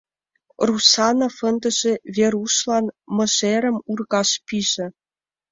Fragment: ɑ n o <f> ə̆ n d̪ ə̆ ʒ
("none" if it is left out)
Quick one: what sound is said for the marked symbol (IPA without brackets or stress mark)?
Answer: f